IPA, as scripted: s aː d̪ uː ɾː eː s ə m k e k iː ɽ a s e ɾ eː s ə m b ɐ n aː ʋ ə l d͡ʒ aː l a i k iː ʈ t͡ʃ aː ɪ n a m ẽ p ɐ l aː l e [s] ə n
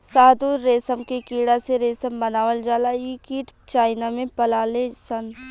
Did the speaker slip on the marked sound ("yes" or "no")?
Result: no